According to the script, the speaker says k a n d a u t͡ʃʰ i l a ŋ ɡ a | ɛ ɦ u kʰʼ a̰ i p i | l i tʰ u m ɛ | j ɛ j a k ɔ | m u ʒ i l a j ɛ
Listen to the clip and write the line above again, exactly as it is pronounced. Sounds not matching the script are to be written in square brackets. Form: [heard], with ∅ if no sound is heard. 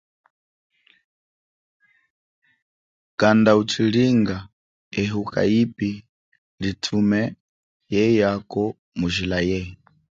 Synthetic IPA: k a n d a u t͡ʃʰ i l [i] ŋ ɡ a | ɛ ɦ u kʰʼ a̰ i p i | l i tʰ u m ɛ | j ɛ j a k ɔ | m u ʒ i l a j ɛ